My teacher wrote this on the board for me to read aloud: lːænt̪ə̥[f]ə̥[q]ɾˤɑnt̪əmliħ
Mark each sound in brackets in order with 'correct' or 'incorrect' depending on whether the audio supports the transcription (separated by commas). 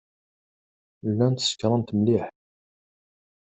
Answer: incorrect, incorrect